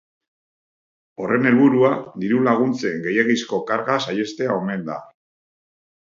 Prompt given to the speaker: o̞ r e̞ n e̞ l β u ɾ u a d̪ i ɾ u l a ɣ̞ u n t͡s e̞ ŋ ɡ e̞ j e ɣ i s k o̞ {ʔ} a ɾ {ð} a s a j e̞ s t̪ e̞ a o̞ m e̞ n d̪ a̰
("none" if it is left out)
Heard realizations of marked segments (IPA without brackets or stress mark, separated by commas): k, ɣ